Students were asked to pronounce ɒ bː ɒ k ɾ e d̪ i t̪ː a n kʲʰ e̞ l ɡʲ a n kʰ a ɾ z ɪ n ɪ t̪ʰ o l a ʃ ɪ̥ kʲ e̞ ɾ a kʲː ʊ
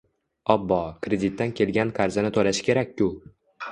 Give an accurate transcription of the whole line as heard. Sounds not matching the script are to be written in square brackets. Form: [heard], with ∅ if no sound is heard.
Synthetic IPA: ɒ bː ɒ k ɾ e d̪ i t̪ː a n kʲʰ e̞ l ɡʲ a n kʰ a ɾ z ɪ n ɪ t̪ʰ o l a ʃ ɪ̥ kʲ e̞ ɾ a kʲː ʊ